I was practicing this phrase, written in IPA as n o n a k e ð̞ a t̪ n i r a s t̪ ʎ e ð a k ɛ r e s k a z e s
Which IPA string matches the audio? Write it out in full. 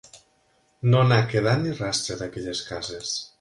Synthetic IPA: n o n a k e ð̞ a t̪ n i r a s t̪ ɾ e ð a k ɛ ʎ e s k a z e s